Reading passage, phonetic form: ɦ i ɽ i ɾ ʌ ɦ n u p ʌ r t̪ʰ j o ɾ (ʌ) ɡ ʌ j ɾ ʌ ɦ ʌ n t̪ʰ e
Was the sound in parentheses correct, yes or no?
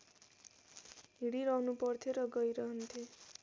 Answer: yes